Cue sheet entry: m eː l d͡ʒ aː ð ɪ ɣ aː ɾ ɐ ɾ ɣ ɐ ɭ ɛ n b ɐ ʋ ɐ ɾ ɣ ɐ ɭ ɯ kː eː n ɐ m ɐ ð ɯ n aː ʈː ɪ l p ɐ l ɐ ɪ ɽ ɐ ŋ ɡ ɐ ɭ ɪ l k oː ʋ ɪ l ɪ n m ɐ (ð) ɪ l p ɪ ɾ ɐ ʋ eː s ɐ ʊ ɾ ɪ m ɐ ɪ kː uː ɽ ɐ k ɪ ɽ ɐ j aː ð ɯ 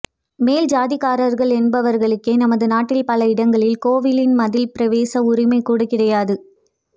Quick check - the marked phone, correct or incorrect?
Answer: correct